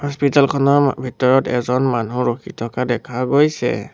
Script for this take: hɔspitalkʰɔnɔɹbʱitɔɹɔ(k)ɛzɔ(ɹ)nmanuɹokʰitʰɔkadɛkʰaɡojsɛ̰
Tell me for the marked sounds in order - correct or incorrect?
incorrect: t, incorrect: none

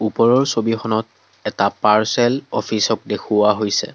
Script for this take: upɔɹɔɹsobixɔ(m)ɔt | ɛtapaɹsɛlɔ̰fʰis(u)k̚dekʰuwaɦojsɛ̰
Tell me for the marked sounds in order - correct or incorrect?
incorrect: n, incorrect: ɔ

